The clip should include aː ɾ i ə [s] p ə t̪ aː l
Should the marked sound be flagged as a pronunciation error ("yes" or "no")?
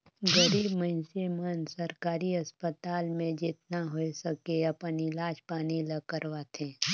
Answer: no